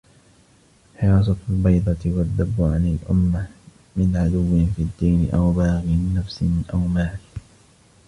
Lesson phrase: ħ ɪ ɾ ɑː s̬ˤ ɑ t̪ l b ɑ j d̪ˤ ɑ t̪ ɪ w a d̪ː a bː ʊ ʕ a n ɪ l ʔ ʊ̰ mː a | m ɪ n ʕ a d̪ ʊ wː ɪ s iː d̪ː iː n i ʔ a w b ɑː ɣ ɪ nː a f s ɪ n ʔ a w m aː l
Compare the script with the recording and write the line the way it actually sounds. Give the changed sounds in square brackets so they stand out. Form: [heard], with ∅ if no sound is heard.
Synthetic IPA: ħ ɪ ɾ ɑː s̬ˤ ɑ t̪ l b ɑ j d̪ˤ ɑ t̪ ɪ w a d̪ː a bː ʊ ʕ a n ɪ l ʔ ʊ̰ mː a | m ɪ n ʕ a d̪ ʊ wː ɪ [f] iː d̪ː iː n [ɪ] ʔ a w b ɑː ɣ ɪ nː a f s ɪ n ʔ a w m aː l